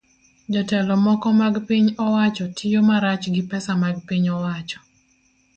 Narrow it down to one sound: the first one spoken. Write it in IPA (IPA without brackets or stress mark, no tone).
d͡ʒ